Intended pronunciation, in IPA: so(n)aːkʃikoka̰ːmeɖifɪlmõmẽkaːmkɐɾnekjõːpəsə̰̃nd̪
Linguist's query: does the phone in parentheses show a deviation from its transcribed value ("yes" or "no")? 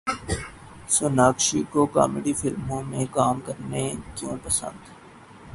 no